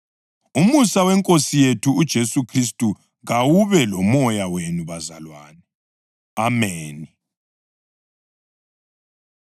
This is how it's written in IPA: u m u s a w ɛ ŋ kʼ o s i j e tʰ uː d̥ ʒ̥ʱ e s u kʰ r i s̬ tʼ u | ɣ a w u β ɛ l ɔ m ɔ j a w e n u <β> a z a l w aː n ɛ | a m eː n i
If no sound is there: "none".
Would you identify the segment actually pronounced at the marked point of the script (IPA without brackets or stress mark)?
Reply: β